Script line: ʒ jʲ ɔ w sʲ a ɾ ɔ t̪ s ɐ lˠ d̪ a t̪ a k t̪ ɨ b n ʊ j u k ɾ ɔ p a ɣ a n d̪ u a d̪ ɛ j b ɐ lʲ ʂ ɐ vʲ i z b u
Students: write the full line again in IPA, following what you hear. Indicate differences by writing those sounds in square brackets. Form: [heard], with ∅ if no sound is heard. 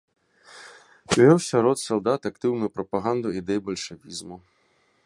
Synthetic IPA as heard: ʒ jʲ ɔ w sʲ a ɾ ɔ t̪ s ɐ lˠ d̪ a t̪ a k t̪ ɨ [w] n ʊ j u [p] ɾ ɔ p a ɣ a n d̪ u [i] d̪ ɛ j b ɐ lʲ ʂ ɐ vʲ i z [m] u